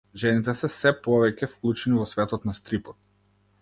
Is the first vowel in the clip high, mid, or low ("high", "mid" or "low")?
mid